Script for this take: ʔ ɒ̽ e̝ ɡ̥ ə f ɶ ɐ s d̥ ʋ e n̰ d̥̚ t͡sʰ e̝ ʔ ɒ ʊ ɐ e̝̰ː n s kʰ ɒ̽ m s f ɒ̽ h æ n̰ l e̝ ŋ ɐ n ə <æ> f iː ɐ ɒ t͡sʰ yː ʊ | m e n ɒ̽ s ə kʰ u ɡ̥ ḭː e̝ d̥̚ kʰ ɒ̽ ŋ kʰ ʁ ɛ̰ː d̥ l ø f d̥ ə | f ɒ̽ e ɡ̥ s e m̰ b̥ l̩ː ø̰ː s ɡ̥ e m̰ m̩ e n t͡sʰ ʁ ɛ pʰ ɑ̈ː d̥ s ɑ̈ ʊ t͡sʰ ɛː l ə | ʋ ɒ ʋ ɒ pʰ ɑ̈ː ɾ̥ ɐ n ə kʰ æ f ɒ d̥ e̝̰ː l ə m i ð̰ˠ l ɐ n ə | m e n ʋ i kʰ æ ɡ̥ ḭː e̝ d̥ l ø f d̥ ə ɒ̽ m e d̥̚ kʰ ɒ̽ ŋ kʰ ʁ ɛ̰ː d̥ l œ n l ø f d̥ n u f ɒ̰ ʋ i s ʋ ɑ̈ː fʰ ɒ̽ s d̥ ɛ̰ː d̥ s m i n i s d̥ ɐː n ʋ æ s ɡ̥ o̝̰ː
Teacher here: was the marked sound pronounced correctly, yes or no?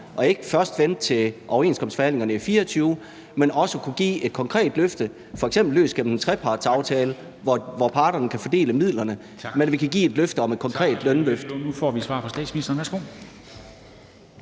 no